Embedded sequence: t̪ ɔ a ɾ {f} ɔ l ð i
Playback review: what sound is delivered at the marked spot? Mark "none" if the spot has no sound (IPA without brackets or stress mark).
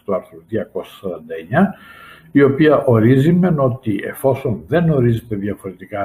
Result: θ